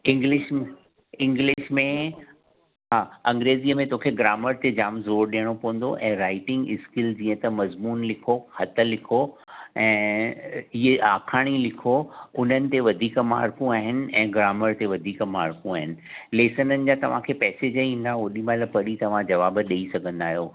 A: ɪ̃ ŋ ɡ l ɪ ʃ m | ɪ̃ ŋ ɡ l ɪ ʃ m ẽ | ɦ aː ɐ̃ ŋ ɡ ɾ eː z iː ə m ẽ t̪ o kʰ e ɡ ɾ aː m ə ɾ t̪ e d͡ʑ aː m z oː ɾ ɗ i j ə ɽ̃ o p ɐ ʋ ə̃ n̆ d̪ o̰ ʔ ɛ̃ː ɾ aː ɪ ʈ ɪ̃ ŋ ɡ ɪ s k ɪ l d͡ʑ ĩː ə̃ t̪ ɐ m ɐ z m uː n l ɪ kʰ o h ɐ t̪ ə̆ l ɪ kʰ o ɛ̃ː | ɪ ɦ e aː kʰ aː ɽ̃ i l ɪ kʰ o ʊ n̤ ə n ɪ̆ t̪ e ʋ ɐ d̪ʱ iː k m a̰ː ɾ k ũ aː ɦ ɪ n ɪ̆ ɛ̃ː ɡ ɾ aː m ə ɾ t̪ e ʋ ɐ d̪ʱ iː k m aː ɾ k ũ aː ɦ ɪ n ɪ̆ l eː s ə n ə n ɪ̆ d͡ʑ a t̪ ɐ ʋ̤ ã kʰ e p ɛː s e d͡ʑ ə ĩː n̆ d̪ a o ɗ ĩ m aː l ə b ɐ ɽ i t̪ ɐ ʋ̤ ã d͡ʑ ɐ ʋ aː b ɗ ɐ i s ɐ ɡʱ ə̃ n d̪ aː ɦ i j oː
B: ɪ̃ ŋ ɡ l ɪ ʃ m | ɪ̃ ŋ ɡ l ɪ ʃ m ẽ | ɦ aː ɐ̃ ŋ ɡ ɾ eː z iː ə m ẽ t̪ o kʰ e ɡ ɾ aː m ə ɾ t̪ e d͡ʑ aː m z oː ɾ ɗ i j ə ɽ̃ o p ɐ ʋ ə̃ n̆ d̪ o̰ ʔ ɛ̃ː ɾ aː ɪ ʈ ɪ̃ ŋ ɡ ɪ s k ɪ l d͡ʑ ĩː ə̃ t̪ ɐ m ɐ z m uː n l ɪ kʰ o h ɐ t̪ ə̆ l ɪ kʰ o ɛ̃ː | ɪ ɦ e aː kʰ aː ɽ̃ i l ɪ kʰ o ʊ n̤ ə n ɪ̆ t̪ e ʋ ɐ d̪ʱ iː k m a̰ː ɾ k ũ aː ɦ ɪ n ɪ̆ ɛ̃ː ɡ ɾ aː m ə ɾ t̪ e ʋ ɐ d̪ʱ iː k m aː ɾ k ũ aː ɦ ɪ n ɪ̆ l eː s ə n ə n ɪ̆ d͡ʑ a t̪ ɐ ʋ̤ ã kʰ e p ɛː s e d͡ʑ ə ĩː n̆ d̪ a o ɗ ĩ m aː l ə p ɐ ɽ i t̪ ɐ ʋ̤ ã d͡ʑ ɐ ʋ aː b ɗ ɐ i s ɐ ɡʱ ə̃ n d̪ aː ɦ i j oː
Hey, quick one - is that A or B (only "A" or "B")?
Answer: B